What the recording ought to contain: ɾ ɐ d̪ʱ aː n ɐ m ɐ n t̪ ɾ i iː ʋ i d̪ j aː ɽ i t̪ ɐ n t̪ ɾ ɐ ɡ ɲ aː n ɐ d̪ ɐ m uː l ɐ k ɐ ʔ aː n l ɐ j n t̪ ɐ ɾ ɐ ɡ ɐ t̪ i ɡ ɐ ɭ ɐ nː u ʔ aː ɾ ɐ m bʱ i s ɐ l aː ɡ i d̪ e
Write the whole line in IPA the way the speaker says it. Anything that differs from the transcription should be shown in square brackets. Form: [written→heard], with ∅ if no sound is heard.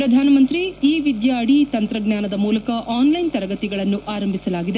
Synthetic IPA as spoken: ɾ ɐ d̪ʱ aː n ɐ m ɐ n t̪ ɾ i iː ʋ i d̪ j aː ɽ i t̪ ɐ n t̪ ɾ ɐ ɡ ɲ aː n ɐ d̪ ɐ m uː l ɐ k ɐ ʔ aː n l ɐ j n t̪ ɐ ɾ ɐ ɡ ɐ t̪ i ɡ ɐ ɭ ɐ nː u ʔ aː ɾ ɐ m bʱ i s ɐ l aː ɡ i d̪ e

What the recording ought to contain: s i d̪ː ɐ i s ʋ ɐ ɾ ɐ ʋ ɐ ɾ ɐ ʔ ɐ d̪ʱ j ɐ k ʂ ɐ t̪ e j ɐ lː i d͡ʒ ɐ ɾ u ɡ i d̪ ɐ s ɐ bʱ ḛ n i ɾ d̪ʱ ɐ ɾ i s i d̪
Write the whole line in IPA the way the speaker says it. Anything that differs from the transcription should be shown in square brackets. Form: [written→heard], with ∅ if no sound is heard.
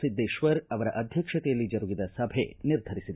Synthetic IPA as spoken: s i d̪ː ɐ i [s→ʃ] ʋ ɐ ɾ ɐ ʋ ɐ ɾ ɐ ʔ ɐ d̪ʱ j ɐ k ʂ ɐ t̪ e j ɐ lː i d͡ʒ ɐ ɾ u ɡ i d̪ ɐ s ɐ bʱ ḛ n i ɾ d̪ʱ ɐ ɾ i s i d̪

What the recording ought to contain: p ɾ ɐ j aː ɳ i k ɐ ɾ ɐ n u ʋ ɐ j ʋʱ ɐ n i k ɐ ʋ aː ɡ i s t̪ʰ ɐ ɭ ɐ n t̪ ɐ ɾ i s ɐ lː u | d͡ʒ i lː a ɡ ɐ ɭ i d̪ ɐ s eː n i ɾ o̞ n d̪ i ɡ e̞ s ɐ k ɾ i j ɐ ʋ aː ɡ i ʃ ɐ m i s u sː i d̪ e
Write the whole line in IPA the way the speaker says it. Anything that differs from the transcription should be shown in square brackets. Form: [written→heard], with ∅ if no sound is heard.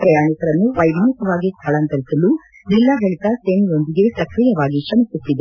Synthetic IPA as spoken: p ɾ ɐ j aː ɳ i k ɐ ɾ ɐ [n→nː] u ʋ ɐ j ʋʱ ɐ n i k ɐ ʋ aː ɡ i s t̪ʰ ɐ ɭ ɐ n t̪ ɐ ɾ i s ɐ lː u | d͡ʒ i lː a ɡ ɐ ɭ i [d̪→t̪] ɐ s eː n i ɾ o̞ n d̪ i ɡ e̞ s ɐ k ɾ i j ɐ ʋ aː ɡ i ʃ ɐ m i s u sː i d̪ e

